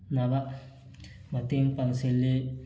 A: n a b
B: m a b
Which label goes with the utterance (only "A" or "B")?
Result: A